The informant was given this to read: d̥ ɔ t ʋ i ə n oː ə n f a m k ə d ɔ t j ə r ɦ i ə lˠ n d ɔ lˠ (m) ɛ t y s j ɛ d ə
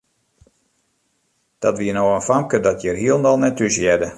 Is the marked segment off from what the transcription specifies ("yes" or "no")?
yes